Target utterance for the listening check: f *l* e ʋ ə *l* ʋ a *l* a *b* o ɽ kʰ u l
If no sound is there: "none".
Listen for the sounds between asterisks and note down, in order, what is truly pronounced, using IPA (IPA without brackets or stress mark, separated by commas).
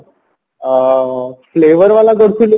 l, ɾ, l, ɡ